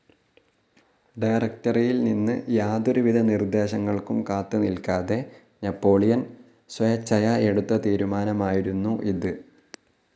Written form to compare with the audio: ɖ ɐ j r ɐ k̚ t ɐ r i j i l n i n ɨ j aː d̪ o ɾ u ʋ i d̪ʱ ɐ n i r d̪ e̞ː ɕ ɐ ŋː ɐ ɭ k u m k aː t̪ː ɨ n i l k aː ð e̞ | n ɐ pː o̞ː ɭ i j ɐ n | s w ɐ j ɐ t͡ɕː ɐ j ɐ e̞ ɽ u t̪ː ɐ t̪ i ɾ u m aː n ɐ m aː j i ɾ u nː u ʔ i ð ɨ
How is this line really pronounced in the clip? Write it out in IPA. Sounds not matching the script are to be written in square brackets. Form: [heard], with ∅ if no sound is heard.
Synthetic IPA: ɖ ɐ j r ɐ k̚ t ɐ r i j i l n i [nː] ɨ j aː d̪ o ɾ u ʋ i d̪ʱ ɐ n i r d̪ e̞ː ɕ ɐ ŋː ɐ ɭ k u m k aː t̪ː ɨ n i l k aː ð e̞ | n ɐ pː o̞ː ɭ i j ɐ n | s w ɐ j ɐ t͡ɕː ɐ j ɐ e̞ ɽ u t̪ː ɐ t̪ [iː] ɾ u m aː n ɐ m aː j i ɾ u nː u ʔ i ð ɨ